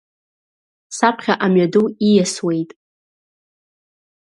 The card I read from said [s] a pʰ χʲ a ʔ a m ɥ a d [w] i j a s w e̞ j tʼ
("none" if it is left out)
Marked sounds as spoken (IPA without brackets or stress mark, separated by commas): s, u